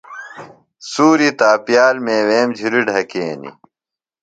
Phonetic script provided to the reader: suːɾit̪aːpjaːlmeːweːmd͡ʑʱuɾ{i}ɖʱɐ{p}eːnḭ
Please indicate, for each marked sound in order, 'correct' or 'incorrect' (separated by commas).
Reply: correct, incorrect